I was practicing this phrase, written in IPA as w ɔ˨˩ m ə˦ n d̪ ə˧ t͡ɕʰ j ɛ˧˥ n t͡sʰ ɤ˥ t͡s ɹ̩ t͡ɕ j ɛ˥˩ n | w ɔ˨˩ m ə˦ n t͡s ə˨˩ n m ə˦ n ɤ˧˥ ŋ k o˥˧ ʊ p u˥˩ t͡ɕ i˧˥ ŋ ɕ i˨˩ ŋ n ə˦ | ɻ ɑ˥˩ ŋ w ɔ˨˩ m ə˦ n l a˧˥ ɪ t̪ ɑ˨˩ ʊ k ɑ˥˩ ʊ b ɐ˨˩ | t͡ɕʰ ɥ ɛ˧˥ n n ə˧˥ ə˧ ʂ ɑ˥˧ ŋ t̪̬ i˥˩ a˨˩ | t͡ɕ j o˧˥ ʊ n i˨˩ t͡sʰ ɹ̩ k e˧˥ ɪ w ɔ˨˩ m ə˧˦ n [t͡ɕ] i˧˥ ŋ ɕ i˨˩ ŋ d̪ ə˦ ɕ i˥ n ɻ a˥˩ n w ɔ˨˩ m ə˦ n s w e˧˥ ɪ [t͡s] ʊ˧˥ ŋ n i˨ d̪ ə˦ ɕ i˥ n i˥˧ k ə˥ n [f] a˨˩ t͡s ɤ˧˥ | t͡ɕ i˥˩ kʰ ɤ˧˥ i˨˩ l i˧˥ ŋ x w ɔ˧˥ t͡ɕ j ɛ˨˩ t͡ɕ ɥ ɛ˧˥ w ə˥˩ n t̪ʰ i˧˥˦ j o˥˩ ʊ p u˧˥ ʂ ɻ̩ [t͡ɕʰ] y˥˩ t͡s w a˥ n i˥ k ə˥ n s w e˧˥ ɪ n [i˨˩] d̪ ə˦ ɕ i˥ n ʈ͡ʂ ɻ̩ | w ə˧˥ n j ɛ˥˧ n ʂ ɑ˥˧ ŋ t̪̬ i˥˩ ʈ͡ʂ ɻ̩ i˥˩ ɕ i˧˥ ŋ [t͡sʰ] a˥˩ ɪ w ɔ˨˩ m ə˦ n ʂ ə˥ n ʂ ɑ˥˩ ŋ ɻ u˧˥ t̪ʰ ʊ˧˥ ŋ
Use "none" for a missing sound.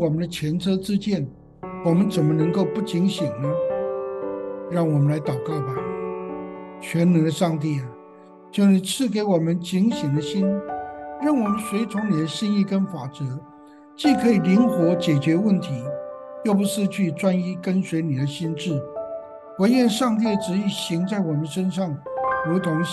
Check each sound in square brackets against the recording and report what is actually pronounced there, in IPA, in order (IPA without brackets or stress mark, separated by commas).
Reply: t͡ɕ, t͡sʰ, f, t͡ɕʰ, i˨˩, t͡s